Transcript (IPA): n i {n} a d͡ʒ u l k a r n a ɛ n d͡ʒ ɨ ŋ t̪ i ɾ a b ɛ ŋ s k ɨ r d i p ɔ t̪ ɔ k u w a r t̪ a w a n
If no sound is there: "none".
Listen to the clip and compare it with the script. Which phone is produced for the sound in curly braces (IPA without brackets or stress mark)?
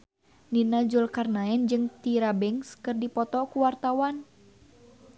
n